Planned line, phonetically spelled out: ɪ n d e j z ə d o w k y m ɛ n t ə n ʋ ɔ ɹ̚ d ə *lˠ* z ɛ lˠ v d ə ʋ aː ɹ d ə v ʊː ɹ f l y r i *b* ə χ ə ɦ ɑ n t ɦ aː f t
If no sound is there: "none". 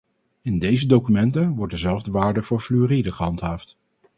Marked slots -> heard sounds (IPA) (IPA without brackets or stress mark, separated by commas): none, d